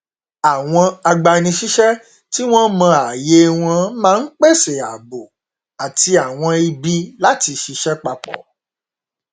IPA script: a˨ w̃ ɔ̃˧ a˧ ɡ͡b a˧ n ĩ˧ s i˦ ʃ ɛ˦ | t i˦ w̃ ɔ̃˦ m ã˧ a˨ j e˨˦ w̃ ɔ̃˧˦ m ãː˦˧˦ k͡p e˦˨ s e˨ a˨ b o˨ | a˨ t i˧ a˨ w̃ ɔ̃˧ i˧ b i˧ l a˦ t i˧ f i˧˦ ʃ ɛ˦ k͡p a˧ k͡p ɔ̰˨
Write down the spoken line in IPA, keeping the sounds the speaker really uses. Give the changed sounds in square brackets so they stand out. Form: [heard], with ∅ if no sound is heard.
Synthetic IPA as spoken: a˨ w̃ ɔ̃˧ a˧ ɡ͡b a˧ n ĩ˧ [ʃ] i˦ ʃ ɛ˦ | t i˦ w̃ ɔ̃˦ m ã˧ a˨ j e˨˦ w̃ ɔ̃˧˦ m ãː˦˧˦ k͡p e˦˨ s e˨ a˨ b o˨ | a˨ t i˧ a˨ w̃ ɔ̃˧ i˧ b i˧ l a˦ t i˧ [ʃ] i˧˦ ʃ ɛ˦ k͡p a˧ k͡p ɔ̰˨